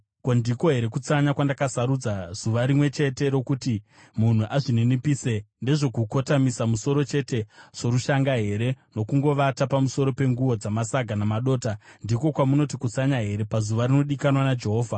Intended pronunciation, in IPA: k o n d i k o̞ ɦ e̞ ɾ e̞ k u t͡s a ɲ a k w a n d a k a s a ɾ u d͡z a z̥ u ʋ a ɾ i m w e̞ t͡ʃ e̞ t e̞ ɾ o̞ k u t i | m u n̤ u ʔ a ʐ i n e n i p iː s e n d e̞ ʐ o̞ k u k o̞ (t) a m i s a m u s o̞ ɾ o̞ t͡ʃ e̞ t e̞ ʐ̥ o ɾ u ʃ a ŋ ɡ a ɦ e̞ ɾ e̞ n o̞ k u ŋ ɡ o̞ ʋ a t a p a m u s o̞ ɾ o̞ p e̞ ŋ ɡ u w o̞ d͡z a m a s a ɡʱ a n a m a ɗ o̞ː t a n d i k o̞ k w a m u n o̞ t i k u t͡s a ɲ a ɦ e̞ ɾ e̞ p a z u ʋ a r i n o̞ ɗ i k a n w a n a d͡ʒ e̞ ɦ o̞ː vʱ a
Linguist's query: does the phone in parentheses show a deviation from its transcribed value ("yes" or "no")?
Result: no